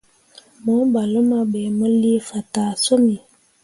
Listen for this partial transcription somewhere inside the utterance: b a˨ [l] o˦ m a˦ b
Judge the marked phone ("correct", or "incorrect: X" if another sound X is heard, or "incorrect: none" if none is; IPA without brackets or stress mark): correct